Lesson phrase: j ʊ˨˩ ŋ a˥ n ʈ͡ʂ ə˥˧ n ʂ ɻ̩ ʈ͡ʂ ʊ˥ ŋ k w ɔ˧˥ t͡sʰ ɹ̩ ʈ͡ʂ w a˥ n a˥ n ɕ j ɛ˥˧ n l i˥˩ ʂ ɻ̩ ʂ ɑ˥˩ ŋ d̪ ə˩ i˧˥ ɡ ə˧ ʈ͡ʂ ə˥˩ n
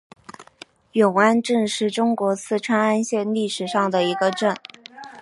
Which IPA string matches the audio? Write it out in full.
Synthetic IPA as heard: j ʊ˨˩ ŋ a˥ n ʈ͡ʂ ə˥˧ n ʂ ɻ̩ ʈ͡ʂ ʊ˥ ŋ k w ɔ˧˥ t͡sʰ ɹ̩ ʈ͡ʂʰ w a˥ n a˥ n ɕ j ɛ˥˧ n l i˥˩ ʂ ɻ̩ ʂ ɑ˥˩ ŋ d̪ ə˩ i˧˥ ɡ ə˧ ʈ͡ʂ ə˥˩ n